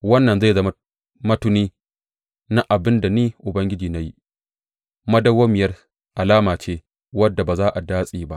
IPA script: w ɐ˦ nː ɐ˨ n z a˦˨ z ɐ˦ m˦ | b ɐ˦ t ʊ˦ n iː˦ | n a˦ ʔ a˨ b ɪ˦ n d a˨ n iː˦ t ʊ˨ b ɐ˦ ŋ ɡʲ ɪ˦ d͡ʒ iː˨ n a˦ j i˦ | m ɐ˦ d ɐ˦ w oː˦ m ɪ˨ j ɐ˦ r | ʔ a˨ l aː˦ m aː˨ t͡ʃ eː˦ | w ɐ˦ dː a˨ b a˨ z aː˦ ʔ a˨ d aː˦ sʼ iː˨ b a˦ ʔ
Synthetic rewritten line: w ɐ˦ nː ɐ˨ n z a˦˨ z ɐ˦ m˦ | m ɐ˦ t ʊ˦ n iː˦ | n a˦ ʔ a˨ b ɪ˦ n d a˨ n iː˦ ʔ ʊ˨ b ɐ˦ ŋ ɡʲ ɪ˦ d͡ʒ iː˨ n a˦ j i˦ | m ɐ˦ d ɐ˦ w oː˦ m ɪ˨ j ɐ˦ r | ʔ a˨ l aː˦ m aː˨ t͡ʃ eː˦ | w ɐ˦ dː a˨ b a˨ z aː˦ ʔ a˨ d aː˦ sʼ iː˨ b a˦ ʔ